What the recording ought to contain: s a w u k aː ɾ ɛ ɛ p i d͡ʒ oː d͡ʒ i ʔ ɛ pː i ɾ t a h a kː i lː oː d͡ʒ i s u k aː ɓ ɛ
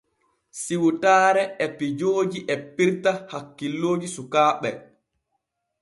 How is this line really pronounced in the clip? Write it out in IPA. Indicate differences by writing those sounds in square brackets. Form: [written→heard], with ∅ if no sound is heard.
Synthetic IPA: s [a→i] w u [k→t] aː ɾ ɛ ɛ p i d͡ʒ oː d͡ʒ i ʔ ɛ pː i ɾ t a h a kː i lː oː d͡ʒ i s u k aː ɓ ɛ